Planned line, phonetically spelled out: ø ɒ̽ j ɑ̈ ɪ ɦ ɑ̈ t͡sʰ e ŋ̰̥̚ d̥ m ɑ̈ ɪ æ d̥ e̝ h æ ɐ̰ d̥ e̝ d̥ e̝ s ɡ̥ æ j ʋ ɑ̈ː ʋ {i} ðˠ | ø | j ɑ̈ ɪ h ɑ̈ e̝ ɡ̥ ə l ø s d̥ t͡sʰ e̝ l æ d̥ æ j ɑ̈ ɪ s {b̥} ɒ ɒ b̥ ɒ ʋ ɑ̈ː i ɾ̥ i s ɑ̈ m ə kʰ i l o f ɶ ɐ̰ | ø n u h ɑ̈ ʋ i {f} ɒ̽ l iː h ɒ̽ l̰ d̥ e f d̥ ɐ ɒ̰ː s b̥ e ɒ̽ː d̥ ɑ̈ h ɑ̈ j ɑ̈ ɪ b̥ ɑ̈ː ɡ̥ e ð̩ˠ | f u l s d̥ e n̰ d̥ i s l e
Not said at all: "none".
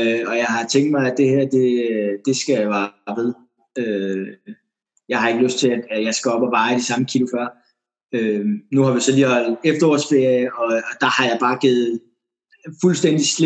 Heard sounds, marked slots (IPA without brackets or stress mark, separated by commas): e, ɡ̥, s